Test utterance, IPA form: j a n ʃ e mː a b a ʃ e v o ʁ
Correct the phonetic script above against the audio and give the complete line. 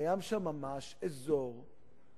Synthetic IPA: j a m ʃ a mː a m a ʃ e z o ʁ